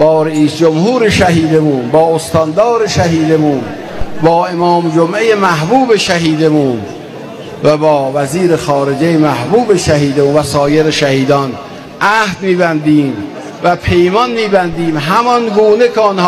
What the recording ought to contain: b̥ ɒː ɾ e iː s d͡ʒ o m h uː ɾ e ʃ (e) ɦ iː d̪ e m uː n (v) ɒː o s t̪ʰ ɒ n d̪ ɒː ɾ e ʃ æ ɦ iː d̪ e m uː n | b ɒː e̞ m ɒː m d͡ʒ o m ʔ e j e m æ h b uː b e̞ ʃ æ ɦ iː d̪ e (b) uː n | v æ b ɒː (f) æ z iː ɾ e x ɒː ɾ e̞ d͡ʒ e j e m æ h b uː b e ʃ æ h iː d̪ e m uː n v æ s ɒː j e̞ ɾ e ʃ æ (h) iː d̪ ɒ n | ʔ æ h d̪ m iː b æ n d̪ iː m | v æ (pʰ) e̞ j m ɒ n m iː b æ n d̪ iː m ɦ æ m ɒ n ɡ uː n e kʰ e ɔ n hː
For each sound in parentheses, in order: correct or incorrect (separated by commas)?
incorrect, incorrect, incorrect, incorrect, correct, correct